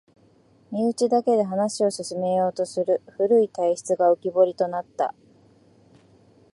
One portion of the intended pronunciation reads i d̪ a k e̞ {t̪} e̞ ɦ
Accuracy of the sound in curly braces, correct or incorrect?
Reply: incorrect